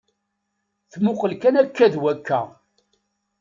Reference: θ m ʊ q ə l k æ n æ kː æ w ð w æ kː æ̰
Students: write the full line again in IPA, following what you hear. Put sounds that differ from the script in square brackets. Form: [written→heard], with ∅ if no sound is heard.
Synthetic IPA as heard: θ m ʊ q ə l k æ n æ kː æ [w→∅] ð w æ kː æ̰